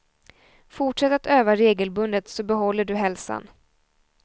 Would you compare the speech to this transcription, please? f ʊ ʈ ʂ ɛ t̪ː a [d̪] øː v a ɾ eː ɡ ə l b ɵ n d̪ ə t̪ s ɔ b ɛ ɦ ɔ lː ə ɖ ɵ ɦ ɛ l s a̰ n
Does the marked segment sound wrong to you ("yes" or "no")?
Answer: yes